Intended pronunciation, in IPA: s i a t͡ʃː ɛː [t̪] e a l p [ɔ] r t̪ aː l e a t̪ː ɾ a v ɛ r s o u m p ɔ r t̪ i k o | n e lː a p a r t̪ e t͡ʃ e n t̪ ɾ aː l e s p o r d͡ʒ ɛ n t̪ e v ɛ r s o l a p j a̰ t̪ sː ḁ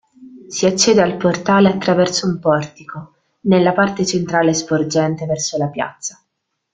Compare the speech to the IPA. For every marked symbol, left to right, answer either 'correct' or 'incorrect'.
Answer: incorrect, incorrect

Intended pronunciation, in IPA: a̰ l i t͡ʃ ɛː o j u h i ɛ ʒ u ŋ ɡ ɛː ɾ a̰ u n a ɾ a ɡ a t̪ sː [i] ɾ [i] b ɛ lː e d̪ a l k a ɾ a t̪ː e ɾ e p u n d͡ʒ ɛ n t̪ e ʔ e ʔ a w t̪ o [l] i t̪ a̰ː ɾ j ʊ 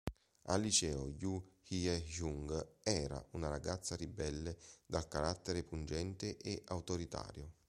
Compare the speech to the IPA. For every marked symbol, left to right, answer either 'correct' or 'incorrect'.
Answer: incorrect, correct, incorrect

